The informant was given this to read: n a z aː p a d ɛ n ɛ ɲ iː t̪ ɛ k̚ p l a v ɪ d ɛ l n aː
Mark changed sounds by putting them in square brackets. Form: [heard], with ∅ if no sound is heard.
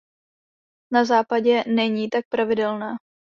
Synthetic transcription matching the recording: n a z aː p a [ɟ] ɛ n ɛ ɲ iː t̪ [a] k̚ p [ɾ] a v ɪ d ɛ l n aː

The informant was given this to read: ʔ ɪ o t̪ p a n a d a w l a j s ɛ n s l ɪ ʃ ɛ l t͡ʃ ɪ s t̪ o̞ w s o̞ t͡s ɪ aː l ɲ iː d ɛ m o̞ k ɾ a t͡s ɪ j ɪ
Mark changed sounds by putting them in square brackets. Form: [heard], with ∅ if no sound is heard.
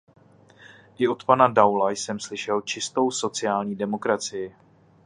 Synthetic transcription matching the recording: ʔ ɪ o t̪ p a n a d a w l a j s ɛ [m] s l ɪ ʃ ɛ l t͡ʃ ɪ s t̪ o̞ w s o̞ t͡s ɪ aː l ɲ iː d ɛ m o̞ k ɾ a t͡s ɪ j ɪ

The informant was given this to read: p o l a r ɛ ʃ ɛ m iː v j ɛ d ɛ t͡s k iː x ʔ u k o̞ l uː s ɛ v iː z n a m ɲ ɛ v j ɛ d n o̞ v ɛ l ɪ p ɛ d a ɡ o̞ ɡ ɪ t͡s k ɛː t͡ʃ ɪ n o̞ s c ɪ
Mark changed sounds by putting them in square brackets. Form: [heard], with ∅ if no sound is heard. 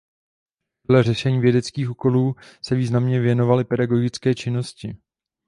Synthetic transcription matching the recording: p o l [ɛ] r ɛ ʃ ɛ [ɲ] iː v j ɛ d ɛ t͡s k iː x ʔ u k o̞ l uː s ɛ v iː z n a m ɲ ɛ v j ɛ [∅] n o̞ v [a] l ɪ p ɛ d a ɡ o̞ ɡ ɪ t͡s k ɛː t͡ʃ ɪ n o̞ s c ɪ

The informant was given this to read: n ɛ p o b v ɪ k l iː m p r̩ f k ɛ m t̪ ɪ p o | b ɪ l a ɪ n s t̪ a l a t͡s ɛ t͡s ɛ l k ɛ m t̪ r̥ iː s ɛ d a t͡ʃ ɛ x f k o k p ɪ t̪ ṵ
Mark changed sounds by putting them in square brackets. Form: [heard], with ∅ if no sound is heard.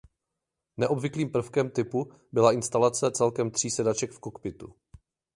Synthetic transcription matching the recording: n ɛ [ʔ] o b v ɪ k l iː m p r̩ f k ɛ m t̪ ɪ p [u] | b ɪ l a ɪ n s t̪ a l a t͡s ɛ t͡s ɛ l k ɛ m t̪ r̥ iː s ɛ d a t͡ʃ ɛ [k] f k o k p ɪ t̪ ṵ

